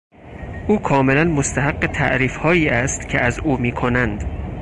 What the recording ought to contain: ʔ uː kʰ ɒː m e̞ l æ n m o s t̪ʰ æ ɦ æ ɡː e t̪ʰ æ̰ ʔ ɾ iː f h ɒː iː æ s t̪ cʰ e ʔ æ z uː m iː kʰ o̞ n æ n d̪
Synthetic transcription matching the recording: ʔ uː kʰ ɒː m e̞ l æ n m o s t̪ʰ æ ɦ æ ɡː e t̪ʰ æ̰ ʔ ɾ iː f h ɒː iː æ s t̪ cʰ e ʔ æ z uː m iː kʰ o̞ n æ n d̪